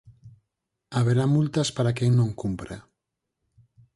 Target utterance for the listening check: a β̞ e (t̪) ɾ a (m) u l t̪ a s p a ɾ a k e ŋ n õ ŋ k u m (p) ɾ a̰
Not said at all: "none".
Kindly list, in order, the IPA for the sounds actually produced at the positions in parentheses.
none, m, p

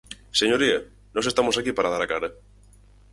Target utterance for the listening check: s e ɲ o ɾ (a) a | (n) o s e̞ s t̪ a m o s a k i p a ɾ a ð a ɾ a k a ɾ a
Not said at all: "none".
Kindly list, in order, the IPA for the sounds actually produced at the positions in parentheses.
i, n

